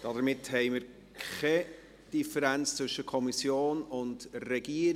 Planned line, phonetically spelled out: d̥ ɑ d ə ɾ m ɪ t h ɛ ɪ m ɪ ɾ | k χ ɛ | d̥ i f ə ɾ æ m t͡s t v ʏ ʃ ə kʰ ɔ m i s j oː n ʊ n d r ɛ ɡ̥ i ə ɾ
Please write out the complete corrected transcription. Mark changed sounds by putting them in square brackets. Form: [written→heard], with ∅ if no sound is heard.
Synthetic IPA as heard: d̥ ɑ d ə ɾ m ɪ t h ɛ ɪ m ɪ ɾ | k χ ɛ | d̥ i f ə ɾ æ [m→n] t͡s [t→t͡s] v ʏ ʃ ə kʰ ɔ m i s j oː n ʊ n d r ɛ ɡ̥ i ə ɾ